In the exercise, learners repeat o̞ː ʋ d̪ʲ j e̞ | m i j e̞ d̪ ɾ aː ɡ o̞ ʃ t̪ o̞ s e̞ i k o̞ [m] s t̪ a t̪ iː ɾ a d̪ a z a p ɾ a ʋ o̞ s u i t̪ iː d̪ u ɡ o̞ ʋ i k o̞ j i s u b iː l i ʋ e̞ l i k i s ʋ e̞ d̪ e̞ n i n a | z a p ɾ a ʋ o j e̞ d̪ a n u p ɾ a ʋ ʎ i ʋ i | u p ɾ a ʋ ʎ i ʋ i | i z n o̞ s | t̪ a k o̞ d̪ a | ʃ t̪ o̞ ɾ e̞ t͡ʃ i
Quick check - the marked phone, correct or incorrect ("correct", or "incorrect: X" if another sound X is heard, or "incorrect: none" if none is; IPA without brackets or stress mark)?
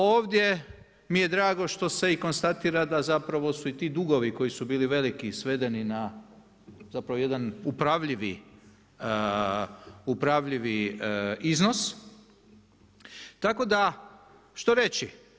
incorrect: n